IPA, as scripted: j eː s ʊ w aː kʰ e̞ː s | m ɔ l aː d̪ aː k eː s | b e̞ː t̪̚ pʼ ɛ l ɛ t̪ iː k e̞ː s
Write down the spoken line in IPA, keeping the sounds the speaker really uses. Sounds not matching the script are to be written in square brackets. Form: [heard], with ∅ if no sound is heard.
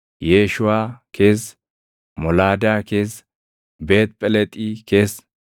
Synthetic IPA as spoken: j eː [ʃ] ʊ w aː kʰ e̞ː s | m ɔ l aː d̪ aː k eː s | b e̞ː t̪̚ pʼ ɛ l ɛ [t̪ʼ] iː k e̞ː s